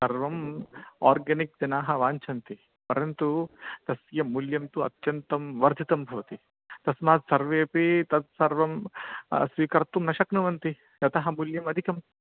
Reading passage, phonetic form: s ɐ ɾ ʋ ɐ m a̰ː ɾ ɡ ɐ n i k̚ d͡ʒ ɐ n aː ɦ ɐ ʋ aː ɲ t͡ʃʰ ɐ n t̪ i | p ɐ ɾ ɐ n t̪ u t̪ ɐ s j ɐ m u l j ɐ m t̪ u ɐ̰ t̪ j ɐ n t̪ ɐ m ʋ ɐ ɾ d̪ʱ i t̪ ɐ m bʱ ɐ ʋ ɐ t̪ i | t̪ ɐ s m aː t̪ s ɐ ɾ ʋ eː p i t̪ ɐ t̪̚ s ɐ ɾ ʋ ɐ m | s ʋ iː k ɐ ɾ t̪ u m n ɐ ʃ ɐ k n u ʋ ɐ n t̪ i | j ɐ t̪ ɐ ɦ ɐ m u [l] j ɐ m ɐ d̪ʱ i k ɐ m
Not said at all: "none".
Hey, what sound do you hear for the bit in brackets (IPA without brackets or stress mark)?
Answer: l